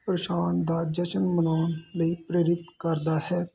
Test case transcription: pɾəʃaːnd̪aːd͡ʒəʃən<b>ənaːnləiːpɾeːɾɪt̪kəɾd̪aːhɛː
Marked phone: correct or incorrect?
incorrect